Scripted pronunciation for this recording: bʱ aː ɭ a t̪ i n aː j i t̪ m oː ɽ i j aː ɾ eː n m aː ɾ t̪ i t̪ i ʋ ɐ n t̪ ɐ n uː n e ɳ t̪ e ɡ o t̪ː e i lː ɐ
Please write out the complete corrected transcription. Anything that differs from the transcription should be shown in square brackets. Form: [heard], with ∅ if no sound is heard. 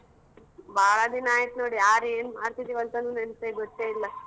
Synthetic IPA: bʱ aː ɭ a [d̪] i n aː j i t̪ [n] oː ɽ i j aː ɾ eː n m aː ɾ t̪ i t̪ i ʋ ɐ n t̪ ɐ n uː n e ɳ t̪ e ɡ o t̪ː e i lː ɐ